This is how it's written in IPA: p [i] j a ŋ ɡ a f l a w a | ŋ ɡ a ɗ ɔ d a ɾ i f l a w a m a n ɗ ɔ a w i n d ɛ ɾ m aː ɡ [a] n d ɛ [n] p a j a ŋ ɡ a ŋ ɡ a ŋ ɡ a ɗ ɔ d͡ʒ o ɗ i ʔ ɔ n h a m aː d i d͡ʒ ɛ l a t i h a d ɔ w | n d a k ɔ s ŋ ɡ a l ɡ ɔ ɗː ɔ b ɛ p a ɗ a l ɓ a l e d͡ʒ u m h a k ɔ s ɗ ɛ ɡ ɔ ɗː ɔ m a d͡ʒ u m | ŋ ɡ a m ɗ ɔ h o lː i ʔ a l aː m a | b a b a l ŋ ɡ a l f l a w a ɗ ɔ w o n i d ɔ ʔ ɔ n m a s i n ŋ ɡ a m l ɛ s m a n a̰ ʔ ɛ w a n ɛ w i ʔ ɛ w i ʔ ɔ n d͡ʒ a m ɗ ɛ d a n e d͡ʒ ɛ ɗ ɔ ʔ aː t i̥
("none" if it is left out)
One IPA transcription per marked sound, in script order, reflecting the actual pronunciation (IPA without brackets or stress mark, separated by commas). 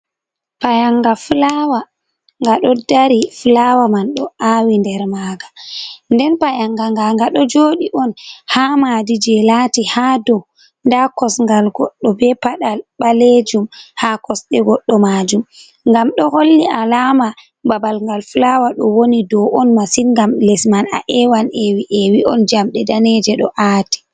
a, a, n